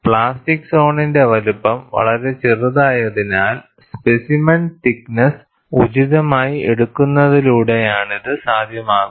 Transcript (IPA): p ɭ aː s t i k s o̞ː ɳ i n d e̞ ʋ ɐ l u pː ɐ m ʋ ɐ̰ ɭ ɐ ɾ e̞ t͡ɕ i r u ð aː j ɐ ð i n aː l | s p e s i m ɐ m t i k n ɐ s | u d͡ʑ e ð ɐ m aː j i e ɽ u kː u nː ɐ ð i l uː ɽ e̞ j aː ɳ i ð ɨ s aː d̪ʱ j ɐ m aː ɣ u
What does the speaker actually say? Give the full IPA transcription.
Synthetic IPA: p ɭ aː s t i k s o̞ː ɳ i n d e̞ ʋ ɐ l u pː ɐ m ʋ ɐ̰ ɭ ɐ ɾ e̞ t͡ɕ i r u ð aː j ɐ ð i n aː l | s p e s i m ɐ n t i k n ɐ s | u d͡ʑ i ð ɐ m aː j i e ɽ u kː u nː ɐ ð i l uː ɽ e̞ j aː ɳ i ð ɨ s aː d̪ʱ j ɐ m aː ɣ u

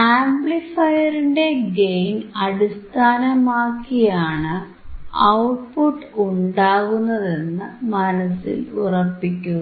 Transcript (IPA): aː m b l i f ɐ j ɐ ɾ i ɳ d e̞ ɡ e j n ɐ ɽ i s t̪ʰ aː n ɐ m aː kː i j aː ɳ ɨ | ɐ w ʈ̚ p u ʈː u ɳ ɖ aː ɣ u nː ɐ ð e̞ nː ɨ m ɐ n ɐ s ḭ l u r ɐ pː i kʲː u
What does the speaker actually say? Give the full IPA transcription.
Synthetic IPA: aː m b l i f ɐ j ɐ ɾ i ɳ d e̞ ɡ e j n ɐ ɽ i s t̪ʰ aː n ɐ m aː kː i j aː ɳ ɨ | ɐ w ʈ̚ p u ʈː u ɳ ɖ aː ɣ u nː ɐ ð e̞ nː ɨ m ɐ n ɐ s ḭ l u r ɐ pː i kʲː u

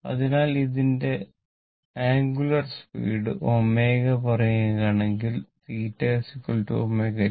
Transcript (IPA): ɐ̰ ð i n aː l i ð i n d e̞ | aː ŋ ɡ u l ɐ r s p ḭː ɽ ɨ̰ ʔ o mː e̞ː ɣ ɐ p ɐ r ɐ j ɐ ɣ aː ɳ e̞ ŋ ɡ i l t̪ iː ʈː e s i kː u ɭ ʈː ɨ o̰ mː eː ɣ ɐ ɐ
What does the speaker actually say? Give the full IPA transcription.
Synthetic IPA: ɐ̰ ð i n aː l i ð i n d e̞ | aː ŋ ɡ u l ɐ r s p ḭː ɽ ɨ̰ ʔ o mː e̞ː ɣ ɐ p ɐ r ɐ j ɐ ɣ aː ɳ e̞ ŋ ɡ i l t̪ iː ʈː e s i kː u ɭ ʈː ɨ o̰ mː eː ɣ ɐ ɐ

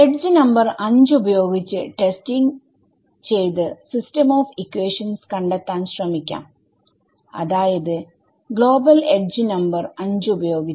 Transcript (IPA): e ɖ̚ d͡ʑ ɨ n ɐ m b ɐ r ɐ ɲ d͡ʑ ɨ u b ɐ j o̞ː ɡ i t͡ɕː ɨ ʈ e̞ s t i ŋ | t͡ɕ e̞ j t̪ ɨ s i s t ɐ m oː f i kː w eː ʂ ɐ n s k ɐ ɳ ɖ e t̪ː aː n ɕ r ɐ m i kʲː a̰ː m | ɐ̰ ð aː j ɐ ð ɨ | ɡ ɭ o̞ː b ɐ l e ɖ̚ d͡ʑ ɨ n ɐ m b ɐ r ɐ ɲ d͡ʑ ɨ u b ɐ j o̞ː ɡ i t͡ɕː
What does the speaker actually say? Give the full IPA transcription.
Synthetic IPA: e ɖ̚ d͡ʑ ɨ n ɐ m b ɐ r ɐ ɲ d͡ʑ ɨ u b ɐ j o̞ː ɡ i t͡ɕː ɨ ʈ e̞ s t i ŋ | t͡ɕ e̞ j t̪ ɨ s i s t ɐ m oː f i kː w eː ʂ ɐ n s k ɐ ɳ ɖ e t̪ː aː n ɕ r ɐ m i kʲː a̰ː m | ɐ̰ ð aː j ɐ ð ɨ | ɡ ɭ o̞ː b ɐ l e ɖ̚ d͡ʑ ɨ n ɐ m b ɐ r ɐ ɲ d͡ʑ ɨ u b ɐ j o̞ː ɡ i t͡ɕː

